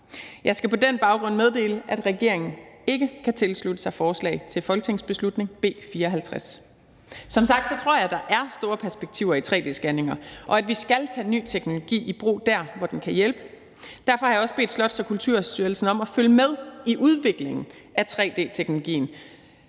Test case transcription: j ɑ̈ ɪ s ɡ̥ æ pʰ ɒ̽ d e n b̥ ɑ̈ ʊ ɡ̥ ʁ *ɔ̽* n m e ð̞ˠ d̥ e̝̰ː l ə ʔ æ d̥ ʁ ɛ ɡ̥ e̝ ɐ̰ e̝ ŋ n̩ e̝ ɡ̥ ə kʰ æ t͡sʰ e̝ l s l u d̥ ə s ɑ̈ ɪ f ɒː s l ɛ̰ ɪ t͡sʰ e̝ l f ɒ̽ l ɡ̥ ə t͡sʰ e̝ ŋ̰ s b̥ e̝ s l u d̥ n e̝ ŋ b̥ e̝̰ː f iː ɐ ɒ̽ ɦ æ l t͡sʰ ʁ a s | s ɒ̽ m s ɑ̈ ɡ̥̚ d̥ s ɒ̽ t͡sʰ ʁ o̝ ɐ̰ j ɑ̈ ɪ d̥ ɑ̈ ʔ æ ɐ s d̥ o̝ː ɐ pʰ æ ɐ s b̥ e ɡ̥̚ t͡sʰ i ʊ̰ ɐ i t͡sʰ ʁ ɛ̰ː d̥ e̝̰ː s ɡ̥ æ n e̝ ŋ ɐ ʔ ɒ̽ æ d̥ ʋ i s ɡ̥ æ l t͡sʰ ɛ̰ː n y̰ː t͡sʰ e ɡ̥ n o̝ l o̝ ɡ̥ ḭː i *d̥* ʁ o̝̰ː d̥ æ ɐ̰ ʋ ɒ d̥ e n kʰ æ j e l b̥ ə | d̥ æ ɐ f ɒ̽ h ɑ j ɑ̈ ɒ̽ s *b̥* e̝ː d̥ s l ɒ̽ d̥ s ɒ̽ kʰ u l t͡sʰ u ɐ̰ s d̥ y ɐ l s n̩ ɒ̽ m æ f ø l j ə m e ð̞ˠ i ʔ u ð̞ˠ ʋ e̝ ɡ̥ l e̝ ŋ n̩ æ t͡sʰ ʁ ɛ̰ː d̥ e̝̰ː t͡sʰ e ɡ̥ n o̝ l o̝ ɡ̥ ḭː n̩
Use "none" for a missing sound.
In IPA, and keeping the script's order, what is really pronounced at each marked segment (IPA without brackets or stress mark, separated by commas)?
ɔ̽, b̥, b̥